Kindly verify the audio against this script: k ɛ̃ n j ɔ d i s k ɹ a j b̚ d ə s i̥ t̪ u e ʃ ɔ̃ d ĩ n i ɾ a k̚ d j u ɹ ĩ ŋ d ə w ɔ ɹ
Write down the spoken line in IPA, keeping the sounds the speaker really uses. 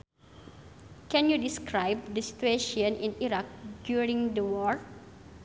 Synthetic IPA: k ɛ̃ n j u d i s k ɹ a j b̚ d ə s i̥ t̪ u e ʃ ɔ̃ n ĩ n i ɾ a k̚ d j u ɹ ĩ ŋ d ə w ɔ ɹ